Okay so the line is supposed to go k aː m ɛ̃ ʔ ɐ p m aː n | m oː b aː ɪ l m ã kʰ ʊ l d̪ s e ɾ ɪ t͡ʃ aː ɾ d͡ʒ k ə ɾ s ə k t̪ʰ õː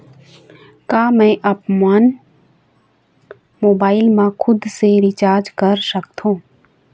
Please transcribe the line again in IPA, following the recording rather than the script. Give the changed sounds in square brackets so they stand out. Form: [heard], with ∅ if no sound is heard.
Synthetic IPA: k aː m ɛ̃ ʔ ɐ p m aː n | m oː b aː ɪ l m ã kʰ ʊ [∅] d̪ s e ɾ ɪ t͡ʃ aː ɾ d͡ʒ k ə ɾ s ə k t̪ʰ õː